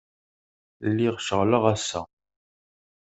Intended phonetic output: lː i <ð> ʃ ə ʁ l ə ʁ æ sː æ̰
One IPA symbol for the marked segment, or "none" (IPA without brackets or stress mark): ʁ